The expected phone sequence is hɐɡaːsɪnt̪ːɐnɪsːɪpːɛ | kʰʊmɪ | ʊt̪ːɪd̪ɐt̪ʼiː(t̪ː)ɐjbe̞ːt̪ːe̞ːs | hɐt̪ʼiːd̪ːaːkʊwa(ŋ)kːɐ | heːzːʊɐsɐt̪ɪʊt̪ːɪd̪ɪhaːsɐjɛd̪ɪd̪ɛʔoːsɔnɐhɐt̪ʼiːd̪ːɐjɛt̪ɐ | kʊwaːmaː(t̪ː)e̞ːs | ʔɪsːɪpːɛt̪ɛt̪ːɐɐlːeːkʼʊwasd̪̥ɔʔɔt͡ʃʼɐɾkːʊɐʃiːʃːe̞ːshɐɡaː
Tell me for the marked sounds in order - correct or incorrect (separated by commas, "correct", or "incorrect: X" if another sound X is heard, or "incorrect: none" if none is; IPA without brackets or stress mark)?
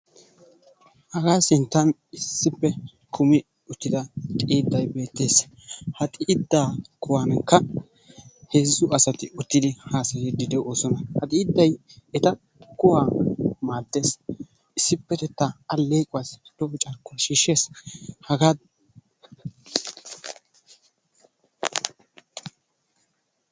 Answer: incorrect: d̪ː, incorrect: n, incorrect: d̪ː